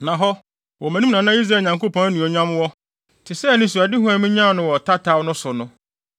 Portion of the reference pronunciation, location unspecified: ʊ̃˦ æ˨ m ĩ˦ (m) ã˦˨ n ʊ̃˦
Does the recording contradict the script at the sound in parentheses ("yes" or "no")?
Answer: yes